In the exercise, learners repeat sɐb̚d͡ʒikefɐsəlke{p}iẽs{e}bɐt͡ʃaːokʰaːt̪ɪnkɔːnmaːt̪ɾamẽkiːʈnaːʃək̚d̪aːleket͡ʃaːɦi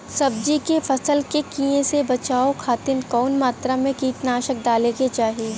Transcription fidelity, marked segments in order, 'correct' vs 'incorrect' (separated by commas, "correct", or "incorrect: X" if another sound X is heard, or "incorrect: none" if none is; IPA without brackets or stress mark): incorrect: k, correct